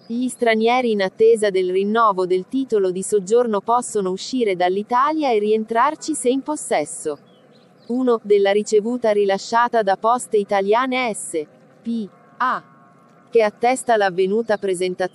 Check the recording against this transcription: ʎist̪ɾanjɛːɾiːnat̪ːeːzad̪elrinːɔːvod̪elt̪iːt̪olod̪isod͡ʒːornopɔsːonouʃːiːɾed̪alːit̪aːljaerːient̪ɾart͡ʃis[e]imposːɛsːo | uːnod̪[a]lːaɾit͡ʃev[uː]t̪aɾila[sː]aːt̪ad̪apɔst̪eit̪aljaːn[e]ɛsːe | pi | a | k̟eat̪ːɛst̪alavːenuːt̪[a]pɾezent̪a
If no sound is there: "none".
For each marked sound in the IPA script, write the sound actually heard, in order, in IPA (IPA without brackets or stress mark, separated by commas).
e, e, uː, ʃː, e, a